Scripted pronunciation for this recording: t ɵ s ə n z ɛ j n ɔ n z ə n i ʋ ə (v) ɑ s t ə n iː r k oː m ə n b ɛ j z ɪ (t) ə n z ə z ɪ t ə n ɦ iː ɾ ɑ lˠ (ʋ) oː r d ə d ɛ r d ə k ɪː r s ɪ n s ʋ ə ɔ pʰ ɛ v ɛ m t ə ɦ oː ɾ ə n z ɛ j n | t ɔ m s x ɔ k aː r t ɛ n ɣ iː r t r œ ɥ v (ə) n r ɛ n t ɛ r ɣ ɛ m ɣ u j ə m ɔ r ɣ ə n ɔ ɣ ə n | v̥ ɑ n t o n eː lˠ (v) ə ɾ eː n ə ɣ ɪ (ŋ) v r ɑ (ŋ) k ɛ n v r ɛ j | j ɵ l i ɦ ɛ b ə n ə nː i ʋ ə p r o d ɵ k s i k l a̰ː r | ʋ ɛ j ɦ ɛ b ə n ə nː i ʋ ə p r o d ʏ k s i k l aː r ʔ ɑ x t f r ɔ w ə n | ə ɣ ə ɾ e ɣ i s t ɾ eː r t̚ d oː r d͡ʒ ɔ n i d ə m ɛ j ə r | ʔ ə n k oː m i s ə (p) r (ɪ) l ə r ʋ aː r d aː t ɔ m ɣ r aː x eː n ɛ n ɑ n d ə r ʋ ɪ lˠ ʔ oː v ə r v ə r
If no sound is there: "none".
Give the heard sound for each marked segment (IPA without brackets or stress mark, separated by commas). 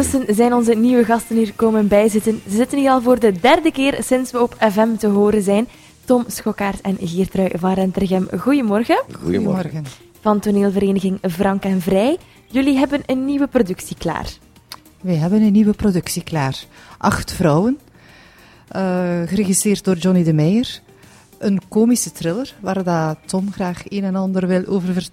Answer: ɣ, t, v, ɑ, v, ŋ, ŋ, t, ɪ